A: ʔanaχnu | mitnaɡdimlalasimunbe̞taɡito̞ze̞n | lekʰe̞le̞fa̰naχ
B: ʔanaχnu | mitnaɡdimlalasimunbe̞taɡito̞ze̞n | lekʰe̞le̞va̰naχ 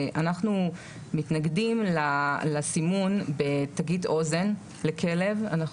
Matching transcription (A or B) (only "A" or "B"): B